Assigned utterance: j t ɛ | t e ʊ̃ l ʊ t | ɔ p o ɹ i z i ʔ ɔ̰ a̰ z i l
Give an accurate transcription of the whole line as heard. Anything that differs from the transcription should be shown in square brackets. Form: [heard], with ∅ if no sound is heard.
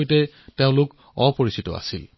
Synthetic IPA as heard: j t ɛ | t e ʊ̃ l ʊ [k] | ɔ p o ɹ i [s] i [t] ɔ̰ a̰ [s] i l